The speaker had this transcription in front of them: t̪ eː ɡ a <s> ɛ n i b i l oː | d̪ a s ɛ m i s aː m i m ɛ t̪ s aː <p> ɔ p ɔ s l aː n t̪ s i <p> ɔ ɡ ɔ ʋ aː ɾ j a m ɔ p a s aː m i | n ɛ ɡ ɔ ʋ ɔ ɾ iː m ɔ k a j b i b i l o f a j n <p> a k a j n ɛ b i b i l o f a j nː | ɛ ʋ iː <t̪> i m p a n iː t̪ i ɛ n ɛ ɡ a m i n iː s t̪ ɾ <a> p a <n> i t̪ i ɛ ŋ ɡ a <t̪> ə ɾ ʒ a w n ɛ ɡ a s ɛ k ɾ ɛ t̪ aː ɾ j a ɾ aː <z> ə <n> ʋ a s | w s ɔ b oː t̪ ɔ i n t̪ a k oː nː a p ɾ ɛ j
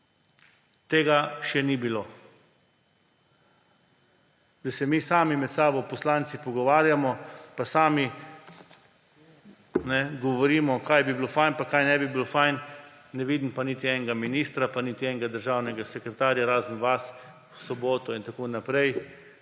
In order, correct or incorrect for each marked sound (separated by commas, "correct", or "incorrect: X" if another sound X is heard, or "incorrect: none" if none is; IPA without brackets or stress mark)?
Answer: incorrect: ʃ, incorrect: b, correct, correct, incorrect: d̪, correct, correct, incorrect: d̪, correct, correct